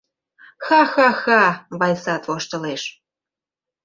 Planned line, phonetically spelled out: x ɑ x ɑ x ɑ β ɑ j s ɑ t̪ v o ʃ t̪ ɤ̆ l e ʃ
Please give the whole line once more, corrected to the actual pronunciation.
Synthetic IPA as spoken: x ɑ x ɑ x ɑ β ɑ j s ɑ t̪ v o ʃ t̪ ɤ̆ l e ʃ